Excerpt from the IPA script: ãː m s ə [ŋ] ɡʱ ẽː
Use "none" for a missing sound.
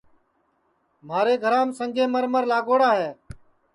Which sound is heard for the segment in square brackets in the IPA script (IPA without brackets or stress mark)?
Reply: ŋ